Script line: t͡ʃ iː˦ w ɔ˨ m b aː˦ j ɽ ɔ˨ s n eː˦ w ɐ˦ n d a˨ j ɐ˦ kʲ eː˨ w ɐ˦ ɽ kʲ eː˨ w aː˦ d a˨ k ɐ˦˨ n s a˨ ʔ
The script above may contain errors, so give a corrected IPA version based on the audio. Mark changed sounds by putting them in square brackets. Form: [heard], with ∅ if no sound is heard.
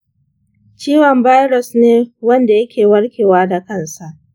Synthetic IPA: t͡ʃ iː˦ w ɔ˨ m b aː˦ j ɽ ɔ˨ s n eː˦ w ɐ˦ n d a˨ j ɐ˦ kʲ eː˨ w ɐ˦ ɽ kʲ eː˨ w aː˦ d a˨ k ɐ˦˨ n s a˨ ʔ